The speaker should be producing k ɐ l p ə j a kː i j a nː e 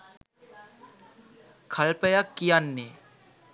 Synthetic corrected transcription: kʰ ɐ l p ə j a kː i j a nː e